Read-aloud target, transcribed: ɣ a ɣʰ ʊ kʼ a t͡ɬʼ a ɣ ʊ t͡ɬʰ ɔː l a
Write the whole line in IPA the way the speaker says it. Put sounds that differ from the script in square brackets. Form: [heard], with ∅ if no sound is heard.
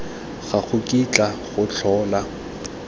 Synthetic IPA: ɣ a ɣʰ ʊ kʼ [i] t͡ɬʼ a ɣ ʊ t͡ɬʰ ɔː l a